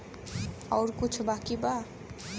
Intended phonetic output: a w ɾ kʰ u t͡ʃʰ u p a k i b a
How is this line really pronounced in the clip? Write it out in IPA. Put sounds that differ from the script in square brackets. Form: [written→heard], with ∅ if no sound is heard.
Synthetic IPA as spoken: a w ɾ [kʰ→k] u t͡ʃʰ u [p→b] a k i b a

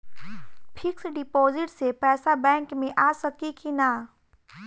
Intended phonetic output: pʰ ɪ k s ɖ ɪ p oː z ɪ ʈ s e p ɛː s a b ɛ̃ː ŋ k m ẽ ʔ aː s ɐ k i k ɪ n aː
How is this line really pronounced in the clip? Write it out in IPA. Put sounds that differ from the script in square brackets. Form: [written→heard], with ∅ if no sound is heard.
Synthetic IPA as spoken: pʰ ɪ k s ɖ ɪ p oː z ɪ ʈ s e p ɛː s a b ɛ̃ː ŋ k m ẽ ʔ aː s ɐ k i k [ɪ→i] n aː

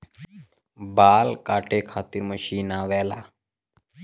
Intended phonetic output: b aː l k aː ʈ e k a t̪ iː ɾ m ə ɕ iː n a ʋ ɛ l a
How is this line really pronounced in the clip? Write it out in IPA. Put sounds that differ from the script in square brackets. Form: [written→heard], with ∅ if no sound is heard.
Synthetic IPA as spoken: b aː l k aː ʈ e [k→kʰ] a t̪ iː ɾ m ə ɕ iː n a ʋ ɛ l a

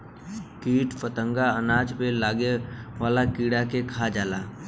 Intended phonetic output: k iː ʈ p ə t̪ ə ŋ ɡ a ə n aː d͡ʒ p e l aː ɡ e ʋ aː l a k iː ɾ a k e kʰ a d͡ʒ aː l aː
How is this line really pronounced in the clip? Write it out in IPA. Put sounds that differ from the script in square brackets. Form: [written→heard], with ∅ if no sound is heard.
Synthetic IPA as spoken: k iː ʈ p ə t̪ ə ŋ ɡ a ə n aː d͡ʒ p e l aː ɡ e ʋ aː l a k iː [ɾ→ɽ] a k e kʰ a d͡ʒ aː l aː

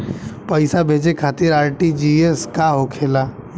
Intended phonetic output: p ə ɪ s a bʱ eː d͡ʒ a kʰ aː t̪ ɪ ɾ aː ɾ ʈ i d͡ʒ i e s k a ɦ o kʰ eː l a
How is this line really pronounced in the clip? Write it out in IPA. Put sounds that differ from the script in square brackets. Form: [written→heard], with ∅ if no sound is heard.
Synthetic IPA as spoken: p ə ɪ s a bʱ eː d͡ʒ [a→e] kʰ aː t̪ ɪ ɾ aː ɾ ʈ i d͡ʒ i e s k a ɦ o kʰ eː l a

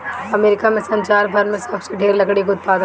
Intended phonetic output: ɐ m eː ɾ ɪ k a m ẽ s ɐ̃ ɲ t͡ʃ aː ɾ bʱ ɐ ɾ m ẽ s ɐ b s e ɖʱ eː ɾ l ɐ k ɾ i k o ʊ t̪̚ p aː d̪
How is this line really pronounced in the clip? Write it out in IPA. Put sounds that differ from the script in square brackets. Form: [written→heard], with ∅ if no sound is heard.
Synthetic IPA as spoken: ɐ m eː ɾ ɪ k a m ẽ s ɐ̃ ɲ t͡ʃ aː ɾ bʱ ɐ ɾ m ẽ s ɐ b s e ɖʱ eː ɾ l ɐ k [ɾ→ɽ] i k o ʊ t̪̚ p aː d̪

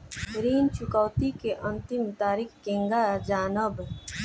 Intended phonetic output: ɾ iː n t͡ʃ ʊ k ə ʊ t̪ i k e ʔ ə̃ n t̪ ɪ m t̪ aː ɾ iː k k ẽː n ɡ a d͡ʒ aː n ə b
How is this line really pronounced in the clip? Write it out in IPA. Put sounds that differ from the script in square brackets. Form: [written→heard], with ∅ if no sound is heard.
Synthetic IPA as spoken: ɾ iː n t͡ʃ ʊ k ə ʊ t̪ i k e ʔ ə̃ n t̪ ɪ m t̪ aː ɾ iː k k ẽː [n→ŋ] ɡ a d͡ʒ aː n ə b

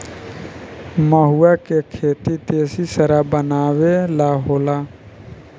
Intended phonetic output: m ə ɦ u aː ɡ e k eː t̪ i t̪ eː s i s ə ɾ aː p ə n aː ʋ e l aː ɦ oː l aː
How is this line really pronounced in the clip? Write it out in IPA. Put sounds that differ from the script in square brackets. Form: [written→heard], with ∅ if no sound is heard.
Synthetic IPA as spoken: m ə ɦ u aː [ɡ→k] e [k→kʰ] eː t̪ i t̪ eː s i s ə ɾ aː [p→b] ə n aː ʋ e l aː ɦ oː l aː

